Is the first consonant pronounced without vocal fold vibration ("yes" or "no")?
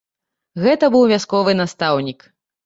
no